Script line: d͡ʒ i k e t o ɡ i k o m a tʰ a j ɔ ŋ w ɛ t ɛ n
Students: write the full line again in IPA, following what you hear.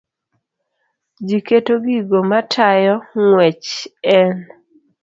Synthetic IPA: d͡ʒ i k e t o ɡ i ɡ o m a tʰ a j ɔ ŋ w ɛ t͡ʃ ɛ n

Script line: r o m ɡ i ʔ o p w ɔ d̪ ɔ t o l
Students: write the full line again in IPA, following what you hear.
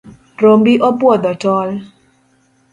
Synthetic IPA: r o m b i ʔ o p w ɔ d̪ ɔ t ɔ l

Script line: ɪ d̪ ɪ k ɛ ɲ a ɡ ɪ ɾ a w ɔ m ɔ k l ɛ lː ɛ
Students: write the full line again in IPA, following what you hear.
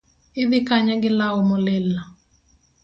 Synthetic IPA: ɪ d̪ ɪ k a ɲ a ɡ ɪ l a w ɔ m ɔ l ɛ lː a

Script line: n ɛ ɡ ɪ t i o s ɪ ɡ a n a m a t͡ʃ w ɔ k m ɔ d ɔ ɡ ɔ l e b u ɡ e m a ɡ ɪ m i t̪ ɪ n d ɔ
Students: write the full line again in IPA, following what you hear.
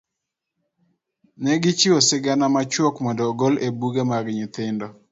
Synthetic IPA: n ɛ ɡ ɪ t͡ʃ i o s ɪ ɡ a n a m a t͡ʃ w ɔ k m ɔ d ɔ ɡ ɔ l e b u ɡ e m a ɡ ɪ ɲ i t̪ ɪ n d ɔ

